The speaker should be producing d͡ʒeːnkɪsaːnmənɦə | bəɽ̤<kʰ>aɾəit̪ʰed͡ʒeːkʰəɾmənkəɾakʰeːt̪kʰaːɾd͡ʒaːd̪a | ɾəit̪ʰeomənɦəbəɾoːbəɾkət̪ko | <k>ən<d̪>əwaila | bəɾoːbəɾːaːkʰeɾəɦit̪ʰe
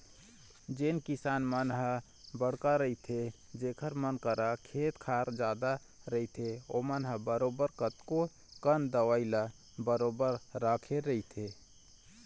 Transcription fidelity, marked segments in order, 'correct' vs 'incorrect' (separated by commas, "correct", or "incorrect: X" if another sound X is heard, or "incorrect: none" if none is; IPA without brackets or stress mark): incorrect: k, correct, correct